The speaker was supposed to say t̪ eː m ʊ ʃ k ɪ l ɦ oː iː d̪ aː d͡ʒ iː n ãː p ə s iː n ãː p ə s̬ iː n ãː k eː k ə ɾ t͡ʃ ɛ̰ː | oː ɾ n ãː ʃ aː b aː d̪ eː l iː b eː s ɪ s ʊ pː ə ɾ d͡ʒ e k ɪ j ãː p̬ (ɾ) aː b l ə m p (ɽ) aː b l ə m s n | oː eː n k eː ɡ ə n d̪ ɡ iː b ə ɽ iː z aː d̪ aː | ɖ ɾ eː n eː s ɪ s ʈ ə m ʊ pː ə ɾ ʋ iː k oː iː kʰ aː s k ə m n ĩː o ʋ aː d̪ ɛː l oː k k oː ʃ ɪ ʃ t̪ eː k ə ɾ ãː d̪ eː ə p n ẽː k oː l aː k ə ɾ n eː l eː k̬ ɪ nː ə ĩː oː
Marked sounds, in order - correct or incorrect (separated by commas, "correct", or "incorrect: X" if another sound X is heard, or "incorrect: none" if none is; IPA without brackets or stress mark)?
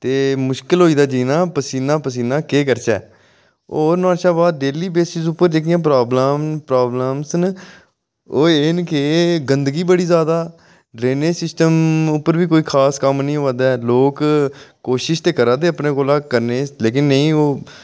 correct, incorrect: ɾ